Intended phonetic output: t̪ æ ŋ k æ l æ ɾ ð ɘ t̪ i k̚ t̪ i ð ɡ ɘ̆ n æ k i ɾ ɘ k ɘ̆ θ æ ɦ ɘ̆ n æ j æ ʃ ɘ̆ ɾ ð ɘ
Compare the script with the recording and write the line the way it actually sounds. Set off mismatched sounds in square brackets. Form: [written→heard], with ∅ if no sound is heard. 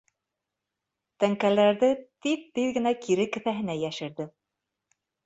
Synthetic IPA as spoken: t̪ æ ŋ k æ l æ ɾ ð ɘ t̪ i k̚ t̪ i ð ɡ ɘ̆ n æ k i ɾ ɘ k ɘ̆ θ æ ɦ ɘ̆ n æ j æ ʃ ɘ̆ ɾ ð ɘ